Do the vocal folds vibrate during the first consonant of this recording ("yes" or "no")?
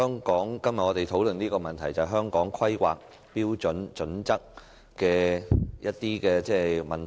yes